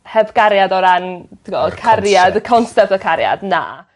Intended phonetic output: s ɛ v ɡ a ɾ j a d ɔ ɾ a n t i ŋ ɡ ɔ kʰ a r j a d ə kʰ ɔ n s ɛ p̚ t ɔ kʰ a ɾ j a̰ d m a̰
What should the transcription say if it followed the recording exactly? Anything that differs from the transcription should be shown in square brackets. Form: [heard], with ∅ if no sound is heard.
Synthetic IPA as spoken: [h] ɛ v ɡ a ɾ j a d ɔ ɾ a n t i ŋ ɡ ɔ kʰ a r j a d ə kʰ ɔ n s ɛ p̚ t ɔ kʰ a ɾ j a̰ d [n] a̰